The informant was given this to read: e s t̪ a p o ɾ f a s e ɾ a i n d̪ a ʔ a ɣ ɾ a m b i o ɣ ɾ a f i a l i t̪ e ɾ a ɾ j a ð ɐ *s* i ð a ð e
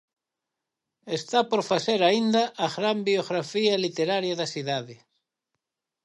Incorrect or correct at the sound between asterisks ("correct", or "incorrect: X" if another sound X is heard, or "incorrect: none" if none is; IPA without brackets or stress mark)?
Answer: correct